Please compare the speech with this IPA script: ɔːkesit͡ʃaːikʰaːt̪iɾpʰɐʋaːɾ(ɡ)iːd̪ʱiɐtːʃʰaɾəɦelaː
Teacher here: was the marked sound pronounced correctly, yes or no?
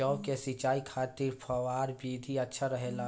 no